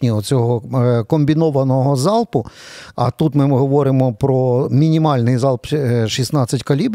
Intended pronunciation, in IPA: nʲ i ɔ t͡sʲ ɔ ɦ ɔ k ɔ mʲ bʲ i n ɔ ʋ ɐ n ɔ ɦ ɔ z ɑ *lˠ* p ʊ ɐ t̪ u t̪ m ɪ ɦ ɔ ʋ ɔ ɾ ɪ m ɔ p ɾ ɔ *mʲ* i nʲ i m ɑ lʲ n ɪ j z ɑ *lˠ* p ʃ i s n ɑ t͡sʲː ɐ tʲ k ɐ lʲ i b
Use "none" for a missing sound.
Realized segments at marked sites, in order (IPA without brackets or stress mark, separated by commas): lˠ, mʲ, lˠ